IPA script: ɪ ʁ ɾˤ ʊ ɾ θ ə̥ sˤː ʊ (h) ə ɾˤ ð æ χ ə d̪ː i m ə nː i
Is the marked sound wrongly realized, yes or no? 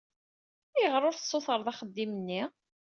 yes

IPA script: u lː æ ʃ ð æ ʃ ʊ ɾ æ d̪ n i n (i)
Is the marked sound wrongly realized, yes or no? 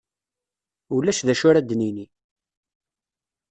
no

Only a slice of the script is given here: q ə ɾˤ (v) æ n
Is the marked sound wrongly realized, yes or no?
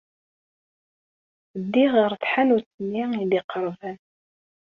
no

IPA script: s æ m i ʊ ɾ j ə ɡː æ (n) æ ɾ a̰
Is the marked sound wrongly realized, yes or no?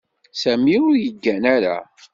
no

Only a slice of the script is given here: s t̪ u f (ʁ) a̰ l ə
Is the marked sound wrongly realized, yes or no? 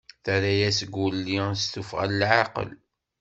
no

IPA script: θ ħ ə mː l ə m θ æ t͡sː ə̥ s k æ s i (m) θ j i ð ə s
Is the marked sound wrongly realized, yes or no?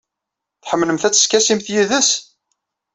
no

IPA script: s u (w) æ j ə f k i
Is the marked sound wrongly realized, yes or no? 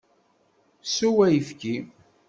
no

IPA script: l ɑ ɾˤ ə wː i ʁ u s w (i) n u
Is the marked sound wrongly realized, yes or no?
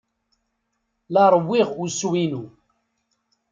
no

